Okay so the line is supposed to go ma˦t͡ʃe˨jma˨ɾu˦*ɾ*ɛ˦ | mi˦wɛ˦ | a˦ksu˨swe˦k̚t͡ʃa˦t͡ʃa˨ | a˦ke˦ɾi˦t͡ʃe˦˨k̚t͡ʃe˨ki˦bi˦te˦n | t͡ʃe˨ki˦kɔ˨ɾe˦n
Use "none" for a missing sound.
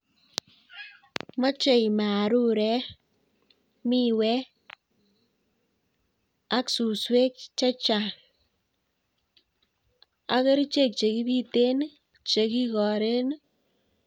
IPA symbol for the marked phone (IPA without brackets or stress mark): ɾ